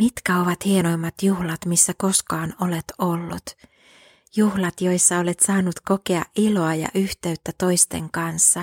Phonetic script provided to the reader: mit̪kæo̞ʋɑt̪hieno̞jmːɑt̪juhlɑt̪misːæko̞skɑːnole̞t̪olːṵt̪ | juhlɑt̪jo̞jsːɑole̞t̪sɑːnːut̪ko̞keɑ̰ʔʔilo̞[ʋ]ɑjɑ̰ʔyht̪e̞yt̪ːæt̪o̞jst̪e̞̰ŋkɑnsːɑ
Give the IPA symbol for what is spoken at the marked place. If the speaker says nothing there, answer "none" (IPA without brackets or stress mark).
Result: none